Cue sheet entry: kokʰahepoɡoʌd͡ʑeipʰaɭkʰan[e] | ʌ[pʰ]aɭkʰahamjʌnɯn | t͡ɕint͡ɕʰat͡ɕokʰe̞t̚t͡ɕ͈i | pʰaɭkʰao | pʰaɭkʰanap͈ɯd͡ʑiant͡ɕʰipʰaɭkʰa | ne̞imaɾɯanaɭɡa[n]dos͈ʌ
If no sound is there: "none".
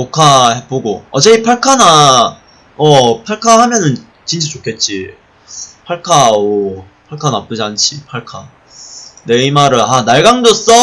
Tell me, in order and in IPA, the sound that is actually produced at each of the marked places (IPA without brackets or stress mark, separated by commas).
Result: a, pʰ, ŋ